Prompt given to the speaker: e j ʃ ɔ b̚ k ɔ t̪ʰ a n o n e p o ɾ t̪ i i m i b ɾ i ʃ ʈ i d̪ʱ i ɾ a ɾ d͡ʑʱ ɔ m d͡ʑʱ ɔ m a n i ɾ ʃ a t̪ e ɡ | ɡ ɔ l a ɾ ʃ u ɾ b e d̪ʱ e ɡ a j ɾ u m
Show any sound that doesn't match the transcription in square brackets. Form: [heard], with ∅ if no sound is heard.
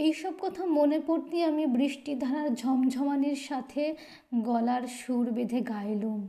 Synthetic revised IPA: e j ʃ ɔ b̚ k ɔ t̪ʰ a [m] o n e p o ɾ t̪ i [a] m i b ɾ i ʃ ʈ i d̪ʱ [a] ɾ a ɾ d͡ʑʱ ɔ m d͡ʑʱ ɔ m a n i ɾ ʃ a [t̪ʰ] e [∅] | ɡ ɔ l a ɾ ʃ u ɾ b e d̪ʱ e ɡ a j [l] u m